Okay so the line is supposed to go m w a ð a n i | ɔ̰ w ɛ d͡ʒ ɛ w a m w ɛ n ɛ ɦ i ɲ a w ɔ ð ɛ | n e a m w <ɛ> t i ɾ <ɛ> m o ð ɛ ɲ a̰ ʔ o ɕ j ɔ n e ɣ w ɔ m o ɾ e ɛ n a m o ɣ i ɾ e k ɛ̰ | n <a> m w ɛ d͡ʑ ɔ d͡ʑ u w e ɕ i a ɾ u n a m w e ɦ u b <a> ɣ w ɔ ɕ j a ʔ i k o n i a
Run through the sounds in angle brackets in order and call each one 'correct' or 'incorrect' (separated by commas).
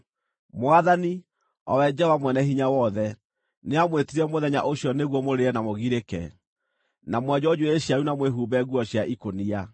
incorrect, correct, correct, incorrect